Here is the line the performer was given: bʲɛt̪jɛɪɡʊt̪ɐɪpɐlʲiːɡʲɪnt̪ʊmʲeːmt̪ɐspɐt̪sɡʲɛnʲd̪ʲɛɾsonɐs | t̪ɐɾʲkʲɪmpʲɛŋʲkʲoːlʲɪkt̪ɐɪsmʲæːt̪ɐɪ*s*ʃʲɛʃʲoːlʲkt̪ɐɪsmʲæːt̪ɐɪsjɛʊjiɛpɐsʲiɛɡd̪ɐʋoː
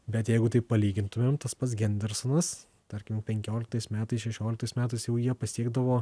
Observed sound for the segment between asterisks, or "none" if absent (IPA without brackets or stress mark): s